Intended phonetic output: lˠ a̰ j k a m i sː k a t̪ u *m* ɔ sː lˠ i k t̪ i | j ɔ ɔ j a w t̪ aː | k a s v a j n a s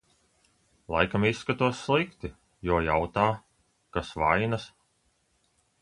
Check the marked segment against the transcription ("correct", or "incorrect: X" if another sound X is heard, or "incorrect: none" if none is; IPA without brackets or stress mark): incorrect: none